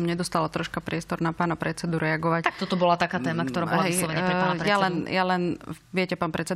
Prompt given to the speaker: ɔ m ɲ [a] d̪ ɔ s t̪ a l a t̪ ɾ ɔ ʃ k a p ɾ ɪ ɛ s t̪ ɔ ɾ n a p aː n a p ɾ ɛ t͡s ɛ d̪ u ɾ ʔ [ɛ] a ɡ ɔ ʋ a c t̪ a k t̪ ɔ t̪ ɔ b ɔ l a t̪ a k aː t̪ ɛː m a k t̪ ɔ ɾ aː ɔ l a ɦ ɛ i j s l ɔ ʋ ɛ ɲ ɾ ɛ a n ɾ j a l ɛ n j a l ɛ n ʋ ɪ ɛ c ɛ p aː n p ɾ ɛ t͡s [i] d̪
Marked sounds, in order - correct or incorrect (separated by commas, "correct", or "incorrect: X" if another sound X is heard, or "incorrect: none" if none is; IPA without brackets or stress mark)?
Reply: incorrect: ɛ, correct, incorrect: ɛ